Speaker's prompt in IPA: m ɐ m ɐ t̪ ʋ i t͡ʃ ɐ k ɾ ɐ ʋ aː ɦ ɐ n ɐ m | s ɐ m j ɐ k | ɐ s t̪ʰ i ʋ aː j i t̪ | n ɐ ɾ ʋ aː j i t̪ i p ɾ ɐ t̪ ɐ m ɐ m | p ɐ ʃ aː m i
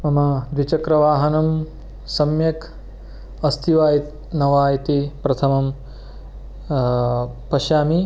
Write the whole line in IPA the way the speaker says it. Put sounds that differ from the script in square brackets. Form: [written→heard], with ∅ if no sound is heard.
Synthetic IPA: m ɐ m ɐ [t̪→d̪] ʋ i t͡ʃ ɐ k ɾ ɐ ʋ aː ɦ ɐ n ɐ m | s ɐ m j ɐ k | ɐ s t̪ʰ i ʋ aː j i t̪ | n ɐ [ɾ→∅] ʋ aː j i t̪ i p ɾ ɐ [t̪→t̪ʰ] ɐ m ɐ m | p ɐ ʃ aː m i